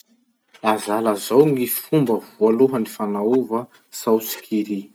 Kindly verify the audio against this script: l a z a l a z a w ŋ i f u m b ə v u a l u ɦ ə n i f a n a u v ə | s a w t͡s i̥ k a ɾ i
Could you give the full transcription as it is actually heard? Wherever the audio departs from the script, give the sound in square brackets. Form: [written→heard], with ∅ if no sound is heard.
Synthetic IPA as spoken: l a z a l a z a w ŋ i f u m b ə v u a l u ɦ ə n i f a n a u v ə | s a w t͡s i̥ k [a→i] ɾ i